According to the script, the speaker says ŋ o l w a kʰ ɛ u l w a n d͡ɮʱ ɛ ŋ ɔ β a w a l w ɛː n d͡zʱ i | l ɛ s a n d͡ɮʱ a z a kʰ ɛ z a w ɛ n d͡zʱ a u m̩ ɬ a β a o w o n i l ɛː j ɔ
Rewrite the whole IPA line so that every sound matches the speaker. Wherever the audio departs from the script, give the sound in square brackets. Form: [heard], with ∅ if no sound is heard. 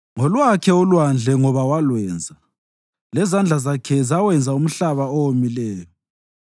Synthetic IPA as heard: ŋ [ɔ] l w a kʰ ɛ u l w a n d͡ɮʱ ɛ ŋ ɔ β a w a l w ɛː n d͡zʱ [a] | l ɛ [z] a n d͡ɮʱ a z a kʰ ɛ z a w ɛ n d͡zʱ a u m̩ ɬ a β a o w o [m] i l ɛː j ɔ